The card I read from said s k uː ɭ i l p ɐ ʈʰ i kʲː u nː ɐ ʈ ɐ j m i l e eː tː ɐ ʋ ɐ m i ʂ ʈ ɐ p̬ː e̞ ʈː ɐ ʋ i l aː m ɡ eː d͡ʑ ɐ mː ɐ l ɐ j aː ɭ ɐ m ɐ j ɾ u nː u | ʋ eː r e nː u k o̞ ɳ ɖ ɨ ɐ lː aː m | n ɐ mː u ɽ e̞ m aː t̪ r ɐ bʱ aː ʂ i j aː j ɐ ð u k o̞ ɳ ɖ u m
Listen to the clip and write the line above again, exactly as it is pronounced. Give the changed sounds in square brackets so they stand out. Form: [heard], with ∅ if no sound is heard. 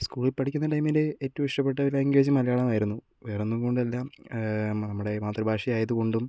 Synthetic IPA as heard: s k uː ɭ i l p ɐ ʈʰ i kʲː u nː ɐ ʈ ɐ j m i l e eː tː ɐ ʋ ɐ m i ʂ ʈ ɐ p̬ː e̞ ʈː ɐ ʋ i l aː [ŋ] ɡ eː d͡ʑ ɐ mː ɐ l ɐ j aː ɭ ɐ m ɐ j ɾ u nː u | ʋ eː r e nː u k o̞ ɳ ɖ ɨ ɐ lː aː m | n ɐ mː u ɽ e̞ m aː t̪ r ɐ bʱ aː ʂ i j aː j ɐ ð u k o̞ ɳ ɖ u m